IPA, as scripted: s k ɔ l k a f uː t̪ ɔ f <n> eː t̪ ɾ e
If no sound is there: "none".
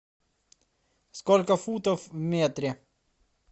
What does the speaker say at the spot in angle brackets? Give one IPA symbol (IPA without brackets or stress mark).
m